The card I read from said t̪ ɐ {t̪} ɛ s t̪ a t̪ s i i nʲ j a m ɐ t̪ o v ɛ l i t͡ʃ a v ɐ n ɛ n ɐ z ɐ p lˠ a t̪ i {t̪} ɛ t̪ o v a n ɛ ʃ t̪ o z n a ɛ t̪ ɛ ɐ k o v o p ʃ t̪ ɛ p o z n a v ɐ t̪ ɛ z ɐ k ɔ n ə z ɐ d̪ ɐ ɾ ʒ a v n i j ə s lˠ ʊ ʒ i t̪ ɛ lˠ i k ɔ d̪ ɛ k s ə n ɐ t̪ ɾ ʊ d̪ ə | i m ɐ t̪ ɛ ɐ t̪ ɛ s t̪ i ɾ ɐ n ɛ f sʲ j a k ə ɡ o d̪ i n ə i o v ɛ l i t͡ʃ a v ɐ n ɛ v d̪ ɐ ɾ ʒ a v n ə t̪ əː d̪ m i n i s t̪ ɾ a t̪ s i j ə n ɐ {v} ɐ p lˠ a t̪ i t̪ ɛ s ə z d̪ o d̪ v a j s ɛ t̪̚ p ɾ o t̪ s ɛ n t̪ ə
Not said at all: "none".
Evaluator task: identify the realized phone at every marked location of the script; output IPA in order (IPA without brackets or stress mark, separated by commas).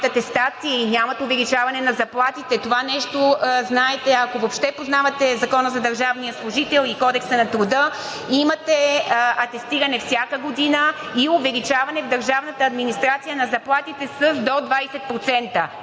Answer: t̪, t̪, z